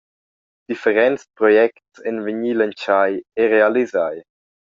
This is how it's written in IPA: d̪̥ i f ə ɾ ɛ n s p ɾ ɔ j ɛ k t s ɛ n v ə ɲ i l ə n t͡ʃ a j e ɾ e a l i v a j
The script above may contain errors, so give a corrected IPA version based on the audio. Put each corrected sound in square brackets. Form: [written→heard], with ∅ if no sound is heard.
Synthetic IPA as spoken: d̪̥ i f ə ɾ ɛ n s p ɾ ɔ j ɛ k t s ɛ n v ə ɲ i l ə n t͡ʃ a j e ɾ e a l i [v→z] a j